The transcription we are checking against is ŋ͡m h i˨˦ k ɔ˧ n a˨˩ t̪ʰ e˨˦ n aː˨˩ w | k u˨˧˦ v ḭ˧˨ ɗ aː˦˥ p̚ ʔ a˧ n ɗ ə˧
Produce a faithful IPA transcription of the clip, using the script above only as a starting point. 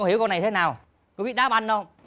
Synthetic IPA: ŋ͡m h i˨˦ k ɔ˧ n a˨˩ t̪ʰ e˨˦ n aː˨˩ w | k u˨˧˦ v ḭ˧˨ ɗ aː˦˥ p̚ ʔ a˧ n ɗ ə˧